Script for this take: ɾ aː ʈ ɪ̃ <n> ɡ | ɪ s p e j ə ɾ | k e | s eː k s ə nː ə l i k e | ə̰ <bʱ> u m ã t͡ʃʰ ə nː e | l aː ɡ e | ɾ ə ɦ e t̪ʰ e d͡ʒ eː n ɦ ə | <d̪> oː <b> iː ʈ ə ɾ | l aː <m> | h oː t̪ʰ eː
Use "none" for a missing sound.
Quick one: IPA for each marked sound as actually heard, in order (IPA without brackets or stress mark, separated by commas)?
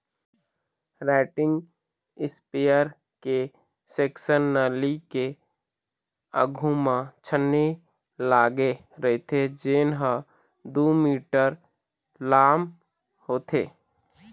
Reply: ŋ, ɡʱ, d̪, m, m